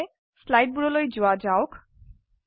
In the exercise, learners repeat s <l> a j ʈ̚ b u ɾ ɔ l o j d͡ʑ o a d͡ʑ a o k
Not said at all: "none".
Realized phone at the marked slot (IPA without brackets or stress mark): l